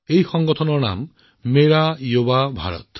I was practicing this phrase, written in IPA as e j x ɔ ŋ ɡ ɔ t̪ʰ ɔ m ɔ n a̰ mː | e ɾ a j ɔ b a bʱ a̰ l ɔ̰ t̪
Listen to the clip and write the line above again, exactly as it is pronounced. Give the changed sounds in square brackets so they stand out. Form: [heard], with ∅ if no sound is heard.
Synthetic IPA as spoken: e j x ɔ ŋ ɡ ɔ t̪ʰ ɔ [n] ɔ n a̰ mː | e ɾ a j [o] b a bʱ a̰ [ɾ] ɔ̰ t̪